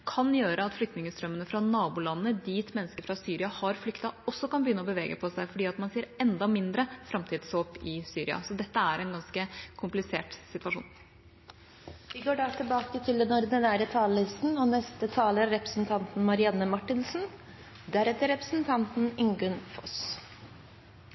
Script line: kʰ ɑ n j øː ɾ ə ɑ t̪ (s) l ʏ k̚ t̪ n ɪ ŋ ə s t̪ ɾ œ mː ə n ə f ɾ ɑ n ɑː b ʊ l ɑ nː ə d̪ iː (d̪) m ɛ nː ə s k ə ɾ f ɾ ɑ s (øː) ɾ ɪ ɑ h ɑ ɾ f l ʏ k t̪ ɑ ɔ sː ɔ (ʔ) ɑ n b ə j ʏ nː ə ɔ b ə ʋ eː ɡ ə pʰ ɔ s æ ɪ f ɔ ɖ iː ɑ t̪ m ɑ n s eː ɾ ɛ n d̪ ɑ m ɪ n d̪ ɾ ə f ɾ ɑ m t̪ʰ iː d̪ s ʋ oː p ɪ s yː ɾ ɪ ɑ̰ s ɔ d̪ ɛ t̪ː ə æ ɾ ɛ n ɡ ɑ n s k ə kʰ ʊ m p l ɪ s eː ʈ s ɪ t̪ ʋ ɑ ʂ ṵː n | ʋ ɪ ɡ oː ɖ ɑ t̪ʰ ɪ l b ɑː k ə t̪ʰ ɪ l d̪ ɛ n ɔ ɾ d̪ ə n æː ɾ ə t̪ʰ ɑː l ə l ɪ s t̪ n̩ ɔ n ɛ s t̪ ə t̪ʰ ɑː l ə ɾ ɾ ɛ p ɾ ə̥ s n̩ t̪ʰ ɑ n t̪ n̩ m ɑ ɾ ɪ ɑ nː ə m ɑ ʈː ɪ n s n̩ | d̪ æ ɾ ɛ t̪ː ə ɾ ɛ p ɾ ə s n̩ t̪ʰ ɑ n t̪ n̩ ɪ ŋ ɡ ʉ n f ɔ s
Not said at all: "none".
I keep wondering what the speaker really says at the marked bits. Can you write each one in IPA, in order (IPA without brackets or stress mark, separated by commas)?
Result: f, t̪, yː, k